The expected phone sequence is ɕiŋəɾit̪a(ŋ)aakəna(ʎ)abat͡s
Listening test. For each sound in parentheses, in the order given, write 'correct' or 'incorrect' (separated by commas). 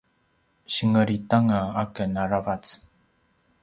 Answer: correct, incorrect